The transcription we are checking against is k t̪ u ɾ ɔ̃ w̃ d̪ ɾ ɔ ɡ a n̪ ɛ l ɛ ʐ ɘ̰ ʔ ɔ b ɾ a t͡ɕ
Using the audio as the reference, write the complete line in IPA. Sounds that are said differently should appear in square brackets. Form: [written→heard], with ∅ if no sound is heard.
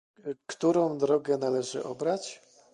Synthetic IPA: k t̪ u ɾ ɔ̃ w̃ d̪ ɾ ɔ ɡ [a→ɛ] n̪ [ɛ→a] l ɛ ʐ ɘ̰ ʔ ɔ b ɾ a t͡ɕ